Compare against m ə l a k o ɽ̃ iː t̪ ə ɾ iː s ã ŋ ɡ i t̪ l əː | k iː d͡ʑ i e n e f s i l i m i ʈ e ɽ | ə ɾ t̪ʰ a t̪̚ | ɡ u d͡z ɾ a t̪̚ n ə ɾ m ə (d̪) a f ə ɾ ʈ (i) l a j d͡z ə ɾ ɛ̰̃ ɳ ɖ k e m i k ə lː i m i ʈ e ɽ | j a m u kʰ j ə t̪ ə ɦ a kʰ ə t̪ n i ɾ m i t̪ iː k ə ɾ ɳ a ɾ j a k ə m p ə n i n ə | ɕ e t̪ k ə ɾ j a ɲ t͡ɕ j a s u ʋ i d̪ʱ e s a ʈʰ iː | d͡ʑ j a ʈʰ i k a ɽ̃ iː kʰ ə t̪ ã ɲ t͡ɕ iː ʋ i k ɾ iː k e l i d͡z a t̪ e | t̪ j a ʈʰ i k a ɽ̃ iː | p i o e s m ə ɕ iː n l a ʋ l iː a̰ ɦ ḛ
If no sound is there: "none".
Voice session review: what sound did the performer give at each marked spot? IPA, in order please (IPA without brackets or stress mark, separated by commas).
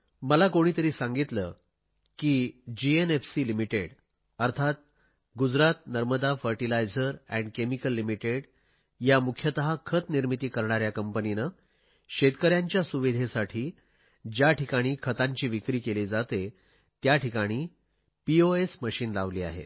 d̪, i